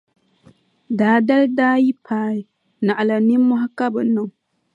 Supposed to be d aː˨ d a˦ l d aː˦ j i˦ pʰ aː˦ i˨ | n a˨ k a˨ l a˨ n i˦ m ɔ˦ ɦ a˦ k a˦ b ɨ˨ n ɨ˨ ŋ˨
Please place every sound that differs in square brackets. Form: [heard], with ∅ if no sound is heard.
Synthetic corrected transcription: d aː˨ d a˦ l d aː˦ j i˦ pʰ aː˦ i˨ | n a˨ [ʔ] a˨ l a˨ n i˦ m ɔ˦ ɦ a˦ k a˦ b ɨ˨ n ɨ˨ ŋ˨